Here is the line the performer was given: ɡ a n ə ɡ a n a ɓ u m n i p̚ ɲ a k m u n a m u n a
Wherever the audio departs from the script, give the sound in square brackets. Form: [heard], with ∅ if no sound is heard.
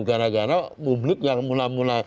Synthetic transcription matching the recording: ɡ a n [a] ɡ a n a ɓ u m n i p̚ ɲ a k m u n a m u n a